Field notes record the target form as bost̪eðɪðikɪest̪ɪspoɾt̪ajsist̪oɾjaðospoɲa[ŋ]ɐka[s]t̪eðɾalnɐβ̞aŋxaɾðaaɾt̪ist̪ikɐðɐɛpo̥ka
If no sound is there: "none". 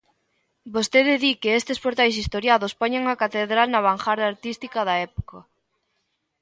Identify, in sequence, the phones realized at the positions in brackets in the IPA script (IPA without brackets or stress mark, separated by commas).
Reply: ŋ, none